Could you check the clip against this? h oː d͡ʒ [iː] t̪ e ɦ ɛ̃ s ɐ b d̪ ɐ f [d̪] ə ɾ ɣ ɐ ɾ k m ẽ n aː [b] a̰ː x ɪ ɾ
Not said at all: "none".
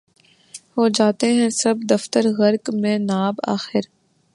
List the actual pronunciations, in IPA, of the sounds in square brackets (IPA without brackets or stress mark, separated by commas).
aː, t̪, b